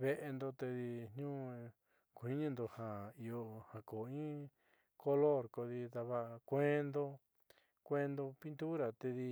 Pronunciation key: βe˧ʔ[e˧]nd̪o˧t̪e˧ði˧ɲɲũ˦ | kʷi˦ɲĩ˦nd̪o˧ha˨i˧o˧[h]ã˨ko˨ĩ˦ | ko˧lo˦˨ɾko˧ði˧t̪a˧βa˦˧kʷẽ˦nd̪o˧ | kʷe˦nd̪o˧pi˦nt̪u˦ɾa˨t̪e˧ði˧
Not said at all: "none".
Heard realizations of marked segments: e˧, h

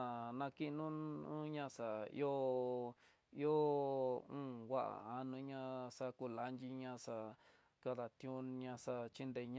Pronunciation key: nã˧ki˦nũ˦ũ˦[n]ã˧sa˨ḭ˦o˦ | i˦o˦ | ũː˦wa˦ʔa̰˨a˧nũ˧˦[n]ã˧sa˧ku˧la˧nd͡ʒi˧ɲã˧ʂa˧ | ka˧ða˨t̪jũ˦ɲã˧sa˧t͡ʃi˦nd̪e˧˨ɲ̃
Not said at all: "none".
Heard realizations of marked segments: ɲ, ɲ

